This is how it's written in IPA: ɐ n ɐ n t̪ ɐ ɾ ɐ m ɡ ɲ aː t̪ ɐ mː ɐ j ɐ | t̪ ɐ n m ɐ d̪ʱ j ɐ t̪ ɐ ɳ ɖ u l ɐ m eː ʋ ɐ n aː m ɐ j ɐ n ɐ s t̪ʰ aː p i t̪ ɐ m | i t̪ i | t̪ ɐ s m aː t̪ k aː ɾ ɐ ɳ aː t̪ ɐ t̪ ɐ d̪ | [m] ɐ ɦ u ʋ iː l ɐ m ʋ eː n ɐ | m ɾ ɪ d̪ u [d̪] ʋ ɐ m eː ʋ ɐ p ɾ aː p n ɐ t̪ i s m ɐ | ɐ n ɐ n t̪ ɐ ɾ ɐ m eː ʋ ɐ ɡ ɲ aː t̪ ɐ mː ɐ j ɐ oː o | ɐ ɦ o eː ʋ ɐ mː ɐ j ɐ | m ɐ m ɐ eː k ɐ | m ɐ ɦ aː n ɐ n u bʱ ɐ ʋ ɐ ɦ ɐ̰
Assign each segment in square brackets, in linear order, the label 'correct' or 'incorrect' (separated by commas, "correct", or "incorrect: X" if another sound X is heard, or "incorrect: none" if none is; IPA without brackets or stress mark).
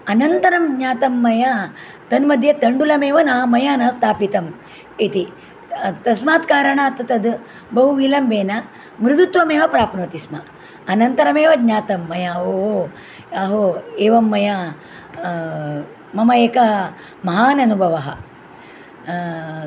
incorrect: b, incorrect: t̪